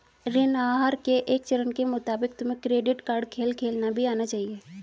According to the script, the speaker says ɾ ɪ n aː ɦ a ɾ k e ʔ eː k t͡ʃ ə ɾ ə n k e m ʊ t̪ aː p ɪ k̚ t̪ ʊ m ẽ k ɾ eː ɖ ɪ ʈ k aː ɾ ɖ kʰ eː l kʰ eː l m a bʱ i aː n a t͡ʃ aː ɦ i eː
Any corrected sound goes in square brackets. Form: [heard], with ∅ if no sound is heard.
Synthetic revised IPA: ɾ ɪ n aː ɦ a ɾ k e ʔ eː k t͡ʃ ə ɾ ə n k e m ʊ t̪ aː [b] ɪ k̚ t̪ ʊ m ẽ k ɾ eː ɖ ɪ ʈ k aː ɾ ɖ kʰ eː l kʰ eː l [n] a bʱ i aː n a t͡ʃ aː ɦ i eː